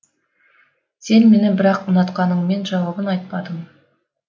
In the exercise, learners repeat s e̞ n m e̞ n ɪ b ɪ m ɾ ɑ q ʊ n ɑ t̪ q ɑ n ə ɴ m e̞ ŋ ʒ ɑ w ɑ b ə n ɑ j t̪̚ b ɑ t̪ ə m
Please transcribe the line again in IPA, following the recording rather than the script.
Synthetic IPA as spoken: s e̞ n m e̞ n ɪ b ɪ ɾ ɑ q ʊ n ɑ t̪ q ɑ n ə ɴ m e̞ n ʒ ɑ w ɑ b ə n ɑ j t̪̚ p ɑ d̪ ə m